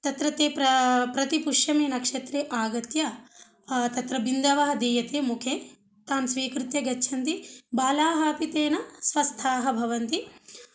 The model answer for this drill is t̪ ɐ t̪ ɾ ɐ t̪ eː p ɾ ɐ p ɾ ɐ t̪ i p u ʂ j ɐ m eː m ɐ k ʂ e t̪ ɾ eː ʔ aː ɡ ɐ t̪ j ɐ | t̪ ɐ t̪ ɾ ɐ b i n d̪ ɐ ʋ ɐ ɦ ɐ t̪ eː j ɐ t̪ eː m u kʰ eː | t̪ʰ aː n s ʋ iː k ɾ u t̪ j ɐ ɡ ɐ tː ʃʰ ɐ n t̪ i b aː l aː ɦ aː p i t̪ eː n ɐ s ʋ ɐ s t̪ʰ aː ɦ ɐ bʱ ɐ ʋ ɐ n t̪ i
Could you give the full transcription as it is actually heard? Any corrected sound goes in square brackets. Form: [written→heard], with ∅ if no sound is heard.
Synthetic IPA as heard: t̪ ɐ t̪ ɾ ɐ t̪ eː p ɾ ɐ p ɾ ɐ t̪ i p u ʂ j ɐ m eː [m→n] ɐ k ʂ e t̪ ɾ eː ʔ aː ɡ ɐ t̪ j ɐ | t̪ ɐ t̪ ɾ ɐ b i n d̪ ɐ ʋ ɐ ɦ ɐ [t̪→d̪] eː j ɐ t̪ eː m u kʰ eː | [t̪ʰ→t̪] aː [n→m] s ʋ iː k ɾ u t̪ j ɐ ɡ ɐ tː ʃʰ ɐ n t̪ i b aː l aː ɦ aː p i t̪ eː n ɐ s ʋ ɐ s t̪ʰ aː ɦ ɐ bʱ ɐ ʋ ɐ n t̪ i